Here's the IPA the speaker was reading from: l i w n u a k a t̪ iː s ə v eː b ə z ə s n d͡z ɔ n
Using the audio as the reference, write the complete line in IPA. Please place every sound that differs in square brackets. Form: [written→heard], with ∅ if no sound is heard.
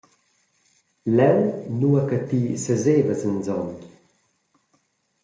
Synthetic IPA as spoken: l [i→ɛ] w n u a k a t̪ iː s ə [v→z] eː [b→v] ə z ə [s→∅] n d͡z ɔ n